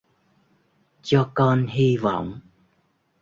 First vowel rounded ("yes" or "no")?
yes